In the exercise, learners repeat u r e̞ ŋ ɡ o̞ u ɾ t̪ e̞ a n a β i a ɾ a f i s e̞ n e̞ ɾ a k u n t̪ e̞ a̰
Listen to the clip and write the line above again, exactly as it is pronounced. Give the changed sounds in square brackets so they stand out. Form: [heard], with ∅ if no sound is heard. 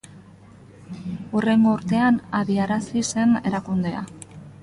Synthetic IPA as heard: u r e̞ ŋ ɡ o̞ u ɾ t̪ e̞ a n a β i a ɾ a [s] i s e̞ n e̞ ɾ a k u n [d̪] e̞ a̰